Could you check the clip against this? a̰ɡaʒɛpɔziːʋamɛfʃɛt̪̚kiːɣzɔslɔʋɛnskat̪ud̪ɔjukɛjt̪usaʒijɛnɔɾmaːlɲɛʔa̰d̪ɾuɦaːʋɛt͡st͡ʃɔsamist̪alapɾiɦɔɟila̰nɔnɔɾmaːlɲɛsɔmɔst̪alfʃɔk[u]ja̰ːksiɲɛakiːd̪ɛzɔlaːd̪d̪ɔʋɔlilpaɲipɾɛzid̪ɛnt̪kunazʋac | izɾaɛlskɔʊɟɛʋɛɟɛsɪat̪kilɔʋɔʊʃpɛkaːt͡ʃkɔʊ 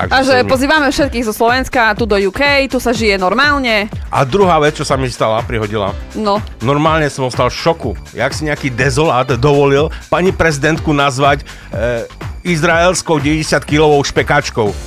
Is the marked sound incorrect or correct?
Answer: correct